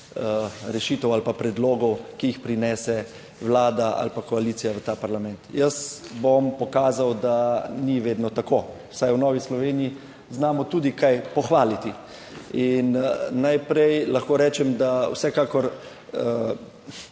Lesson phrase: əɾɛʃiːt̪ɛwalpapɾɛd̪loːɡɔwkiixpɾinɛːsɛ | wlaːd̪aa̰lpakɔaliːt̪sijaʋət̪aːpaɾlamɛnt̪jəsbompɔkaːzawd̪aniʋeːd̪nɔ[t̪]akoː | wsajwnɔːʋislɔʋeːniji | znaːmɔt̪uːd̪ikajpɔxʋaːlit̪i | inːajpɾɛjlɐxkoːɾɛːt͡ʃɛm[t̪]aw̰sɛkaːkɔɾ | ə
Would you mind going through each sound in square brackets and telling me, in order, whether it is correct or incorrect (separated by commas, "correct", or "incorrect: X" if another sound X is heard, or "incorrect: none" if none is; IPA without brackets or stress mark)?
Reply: correct, incorrect: d̪